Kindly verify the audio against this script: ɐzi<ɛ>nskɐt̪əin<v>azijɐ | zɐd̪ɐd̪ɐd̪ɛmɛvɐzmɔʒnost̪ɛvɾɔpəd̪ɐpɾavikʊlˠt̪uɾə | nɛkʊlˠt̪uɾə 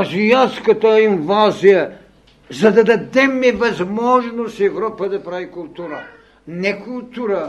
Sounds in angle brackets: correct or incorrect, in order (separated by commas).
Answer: incorrect, correct